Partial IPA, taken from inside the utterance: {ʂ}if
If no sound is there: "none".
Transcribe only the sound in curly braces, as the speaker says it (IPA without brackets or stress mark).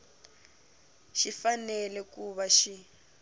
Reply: ʃ